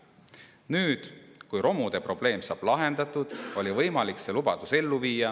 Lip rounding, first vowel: rounded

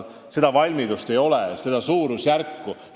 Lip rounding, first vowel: unrounded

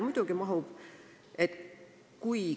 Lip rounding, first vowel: rounded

